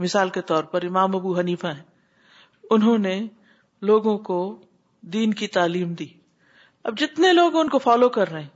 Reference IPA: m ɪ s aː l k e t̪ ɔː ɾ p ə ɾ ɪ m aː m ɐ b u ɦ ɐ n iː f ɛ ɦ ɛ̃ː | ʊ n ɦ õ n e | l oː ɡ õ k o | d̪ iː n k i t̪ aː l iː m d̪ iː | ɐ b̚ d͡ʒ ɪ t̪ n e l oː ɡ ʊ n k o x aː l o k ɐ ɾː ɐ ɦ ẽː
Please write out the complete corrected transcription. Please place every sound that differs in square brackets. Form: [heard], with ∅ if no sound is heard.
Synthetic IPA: m ɪ s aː l k e t̪ ɔː ɾ p [ɐ] ɾ ɪ m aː m ɐ b u ɦ ɐ n iː f [a] ɦ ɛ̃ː | ʊ n ɦ õ n e | l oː ɡ õ k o | d̪ iː n k i t̪ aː l iː m d̪ iː | ɐ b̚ d͡ʒ ɪ t̪ n e l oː ɡ ʊ n k o [f] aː l o k ɐ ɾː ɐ ɦ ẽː